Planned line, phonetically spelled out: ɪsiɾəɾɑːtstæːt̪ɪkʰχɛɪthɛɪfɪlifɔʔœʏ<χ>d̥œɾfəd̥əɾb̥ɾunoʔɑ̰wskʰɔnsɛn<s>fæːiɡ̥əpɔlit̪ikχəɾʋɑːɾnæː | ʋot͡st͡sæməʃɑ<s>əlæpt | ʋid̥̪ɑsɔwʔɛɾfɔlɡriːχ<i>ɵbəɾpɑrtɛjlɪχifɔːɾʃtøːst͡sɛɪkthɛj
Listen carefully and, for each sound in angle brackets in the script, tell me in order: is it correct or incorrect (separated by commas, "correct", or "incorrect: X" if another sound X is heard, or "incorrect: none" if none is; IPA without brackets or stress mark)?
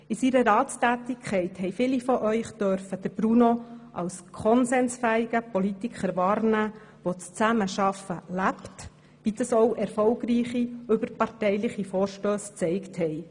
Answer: correct, correct, incorrect: f, correct